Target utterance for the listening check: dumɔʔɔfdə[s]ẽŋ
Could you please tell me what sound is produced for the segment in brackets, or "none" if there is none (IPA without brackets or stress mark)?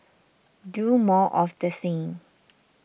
s